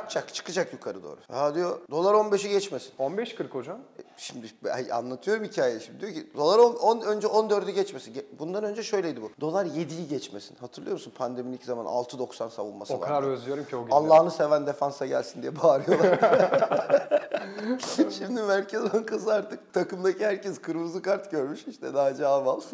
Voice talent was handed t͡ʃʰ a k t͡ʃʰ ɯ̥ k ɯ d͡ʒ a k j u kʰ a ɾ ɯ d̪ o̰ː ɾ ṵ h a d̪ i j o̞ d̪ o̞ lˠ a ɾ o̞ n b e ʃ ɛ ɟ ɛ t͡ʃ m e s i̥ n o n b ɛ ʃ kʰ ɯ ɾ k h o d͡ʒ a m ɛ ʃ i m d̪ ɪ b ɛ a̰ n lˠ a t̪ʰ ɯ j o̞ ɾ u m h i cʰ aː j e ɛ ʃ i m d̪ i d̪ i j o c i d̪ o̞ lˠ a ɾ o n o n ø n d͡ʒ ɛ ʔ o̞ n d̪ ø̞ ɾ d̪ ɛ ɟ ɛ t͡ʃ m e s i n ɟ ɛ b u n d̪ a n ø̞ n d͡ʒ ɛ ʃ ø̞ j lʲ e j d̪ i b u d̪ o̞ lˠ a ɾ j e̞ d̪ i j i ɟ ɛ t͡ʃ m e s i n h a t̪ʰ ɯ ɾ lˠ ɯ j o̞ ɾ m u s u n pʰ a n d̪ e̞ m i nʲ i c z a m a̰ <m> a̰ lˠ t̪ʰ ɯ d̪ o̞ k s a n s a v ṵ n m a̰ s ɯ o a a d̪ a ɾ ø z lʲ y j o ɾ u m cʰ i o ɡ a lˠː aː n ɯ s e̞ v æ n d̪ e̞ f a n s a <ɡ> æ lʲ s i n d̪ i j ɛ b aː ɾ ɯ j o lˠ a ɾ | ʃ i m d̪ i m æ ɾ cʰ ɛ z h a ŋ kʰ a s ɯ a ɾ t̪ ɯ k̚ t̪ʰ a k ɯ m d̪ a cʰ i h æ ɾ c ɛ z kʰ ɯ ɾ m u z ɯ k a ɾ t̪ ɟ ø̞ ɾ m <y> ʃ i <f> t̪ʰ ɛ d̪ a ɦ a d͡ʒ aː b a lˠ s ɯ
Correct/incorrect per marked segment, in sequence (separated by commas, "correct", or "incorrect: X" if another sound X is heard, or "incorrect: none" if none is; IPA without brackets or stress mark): incorrect: n, incorrect: ɟ, correct, incorrect: ʃ